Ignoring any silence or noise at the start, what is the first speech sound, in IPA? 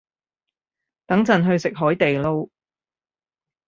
t̪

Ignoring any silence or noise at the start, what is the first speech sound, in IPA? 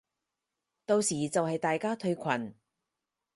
t̪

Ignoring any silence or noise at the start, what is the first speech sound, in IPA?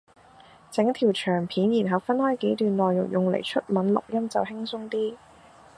t͡s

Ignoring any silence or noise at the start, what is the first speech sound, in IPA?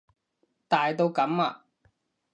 t̪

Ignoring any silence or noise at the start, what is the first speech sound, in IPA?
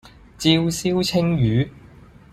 t͡s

